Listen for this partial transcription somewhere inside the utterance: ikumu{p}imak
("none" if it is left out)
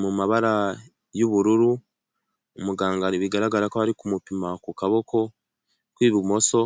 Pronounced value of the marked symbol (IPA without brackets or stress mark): p